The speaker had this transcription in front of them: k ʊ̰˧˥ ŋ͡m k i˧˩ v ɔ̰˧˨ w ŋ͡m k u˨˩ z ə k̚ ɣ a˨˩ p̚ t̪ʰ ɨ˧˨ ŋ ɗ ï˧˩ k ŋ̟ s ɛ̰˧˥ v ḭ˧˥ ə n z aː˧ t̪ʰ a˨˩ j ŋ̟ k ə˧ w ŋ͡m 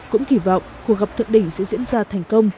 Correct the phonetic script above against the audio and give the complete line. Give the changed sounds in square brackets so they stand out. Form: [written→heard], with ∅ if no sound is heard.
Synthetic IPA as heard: k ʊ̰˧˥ ŋ͡m k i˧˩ v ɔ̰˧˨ w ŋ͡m k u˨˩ [z→∅] ə k̚ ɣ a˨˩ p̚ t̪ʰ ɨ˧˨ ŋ ɗ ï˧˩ [k→∅] ŋ̟ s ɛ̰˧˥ [v→z] ḭ˧˥ ə n z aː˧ t̪ʰ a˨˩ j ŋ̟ k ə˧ w ŋ͡m

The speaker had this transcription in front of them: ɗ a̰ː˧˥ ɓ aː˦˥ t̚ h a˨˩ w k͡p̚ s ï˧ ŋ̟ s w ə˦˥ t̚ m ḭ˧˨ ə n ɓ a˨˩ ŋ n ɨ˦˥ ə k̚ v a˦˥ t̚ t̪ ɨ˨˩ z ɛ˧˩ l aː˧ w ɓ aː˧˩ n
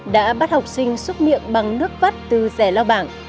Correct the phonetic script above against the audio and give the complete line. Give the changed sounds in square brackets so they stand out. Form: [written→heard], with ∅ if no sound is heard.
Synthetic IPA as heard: ɗ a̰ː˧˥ ɓ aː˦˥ t̚ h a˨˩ w k͡p̚ s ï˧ ŋ̟ s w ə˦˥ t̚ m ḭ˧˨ ə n ɓ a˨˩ ŋ n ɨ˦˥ ə k̚ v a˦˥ t̚ t̪ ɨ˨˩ z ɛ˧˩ l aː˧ w ɓ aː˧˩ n

